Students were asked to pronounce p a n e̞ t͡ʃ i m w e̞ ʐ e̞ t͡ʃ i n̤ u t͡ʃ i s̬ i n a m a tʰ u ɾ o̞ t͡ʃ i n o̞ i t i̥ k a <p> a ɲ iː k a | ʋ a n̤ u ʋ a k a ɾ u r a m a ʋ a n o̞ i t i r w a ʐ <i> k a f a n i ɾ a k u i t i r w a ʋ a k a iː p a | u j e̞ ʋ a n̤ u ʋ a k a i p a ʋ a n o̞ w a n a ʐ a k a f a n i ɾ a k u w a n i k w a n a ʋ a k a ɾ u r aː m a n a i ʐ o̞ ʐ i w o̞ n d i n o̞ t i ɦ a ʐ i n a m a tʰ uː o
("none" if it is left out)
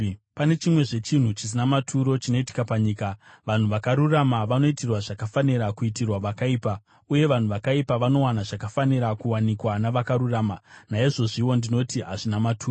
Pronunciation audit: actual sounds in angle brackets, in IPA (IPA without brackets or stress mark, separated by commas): p, a